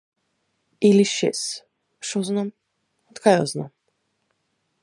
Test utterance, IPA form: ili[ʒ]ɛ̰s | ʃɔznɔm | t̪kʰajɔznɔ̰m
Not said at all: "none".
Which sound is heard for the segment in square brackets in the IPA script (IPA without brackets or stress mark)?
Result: ʃ